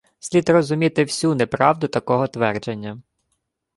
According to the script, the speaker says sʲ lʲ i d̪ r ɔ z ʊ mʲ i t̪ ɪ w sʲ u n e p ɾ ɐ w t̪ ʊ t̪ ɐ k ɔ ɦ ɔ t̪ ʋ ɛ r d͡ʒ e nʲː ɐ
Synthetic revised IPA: sʲ lʲ i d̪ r ɔ z ʊ mʲ i t̪ ɪ w sʲ u n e p ɾ ɑ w d̪ ʊ t̪ ɐ k ɔ ɦ ɔ t̪ ʋ ɛ r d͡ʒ e nʲː ɐ